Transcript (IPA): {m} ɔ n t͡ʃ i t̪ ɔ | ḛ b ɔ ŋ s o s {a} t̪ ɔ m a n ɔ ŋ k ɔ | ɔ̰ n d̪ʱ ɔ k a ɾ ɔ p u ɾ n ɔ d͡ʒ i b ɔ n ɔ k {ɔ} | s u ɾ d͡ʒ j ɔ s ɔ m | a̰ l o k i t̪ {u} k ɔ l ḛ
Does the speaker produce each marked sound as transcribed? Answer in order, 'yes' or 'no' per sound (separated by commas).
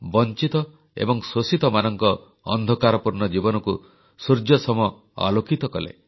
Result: no, no, no, no